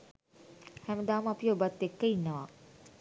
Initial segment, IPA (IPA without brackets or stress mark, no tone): h